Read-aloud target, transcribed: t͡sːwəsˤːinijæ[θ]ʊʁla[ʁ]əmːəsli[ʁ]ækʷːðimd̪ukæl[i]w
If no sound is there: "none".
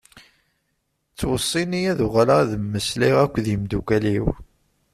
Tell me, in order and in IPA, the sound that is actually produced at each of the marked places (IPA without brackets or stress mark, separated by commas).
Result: ð, ð, ʁ, i